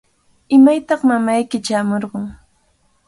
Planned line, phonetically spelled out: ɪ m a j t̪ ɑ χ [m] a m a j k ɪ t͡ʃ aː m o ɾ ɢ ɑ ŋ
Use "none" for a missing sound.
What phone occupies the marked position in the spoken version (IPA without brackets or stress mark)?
m